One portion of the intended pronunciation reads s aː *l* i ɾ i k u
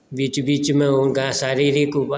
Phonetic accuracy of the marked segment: incorrect: ɾ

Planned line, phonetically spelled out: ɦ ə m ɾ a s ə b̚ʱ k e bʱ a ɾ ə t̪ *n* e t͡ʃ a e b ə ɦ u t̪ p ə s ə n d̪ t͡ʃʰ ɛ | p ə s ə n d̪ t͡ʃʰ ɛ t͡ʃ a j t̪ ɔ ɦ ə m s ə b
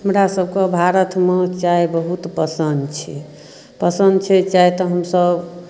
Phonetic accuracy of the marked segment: incorrect: m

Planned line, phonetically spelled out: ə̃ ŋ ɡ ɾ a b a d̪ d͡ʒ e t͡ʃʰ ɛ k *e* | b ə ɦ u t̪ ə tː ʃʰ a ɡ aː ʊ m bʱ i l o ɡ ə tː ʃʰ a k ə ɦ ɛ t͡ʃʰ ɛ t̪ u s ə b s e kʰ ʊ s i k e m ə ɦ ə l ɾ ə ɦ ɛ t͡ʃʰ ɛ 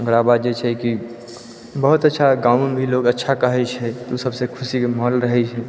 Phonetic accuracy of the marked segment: incorrect: i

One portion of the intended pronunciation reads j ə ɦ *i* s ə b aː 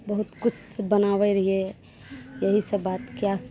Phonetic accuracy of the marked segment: correct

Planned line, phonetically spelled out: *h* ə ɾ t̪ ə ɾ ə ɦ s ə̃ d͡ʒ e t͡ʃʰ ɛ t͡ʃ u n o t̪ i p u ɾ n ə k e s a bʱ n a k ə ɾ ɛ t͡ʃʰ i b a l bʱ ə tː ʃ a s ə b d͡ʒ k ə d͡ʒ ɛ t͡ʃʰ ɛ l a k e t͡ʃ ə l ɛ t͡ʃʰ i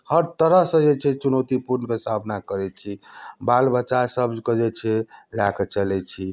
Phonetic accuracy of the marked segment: correct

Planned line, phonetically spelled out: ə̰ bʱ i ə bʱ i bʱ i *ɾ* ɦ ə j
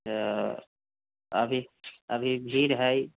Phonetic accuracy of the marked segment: correct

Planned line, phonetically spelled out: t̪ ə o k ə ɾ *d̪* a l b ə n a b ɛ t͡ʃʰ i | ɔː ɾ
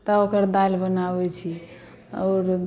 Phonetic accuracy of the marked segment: correct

